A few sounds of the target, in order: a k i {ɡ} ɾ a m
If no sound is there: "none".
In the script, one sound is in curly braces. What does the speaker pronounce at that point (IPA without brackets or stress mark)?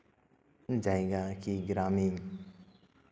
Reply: ɡ